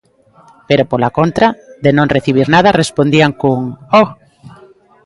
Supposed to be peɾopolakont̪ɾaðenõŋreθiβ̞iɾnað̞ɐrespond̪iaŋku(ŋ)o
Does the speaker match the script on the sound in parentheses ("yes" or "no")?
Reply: yes